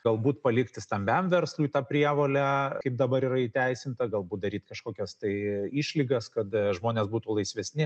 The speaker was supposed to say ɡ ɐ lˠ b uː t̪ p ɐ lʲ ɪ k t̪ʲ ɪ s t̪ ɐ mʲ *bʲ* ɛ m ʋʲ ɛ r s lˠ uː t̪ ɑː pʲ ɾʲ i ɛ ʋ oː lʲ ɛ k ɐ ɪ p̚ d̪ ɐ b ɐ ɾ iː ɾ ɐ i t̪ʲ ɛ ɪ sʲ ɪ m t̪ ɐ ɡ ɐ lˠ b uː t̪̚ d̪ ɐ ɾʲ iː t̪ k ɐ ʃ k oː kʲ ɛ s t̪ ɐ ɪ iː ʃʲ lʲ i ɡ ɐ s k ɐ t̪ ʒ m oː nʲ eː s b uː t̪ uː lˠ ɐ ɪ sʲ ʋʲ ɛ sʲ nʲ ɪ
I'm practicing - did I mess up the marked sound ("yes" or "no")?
no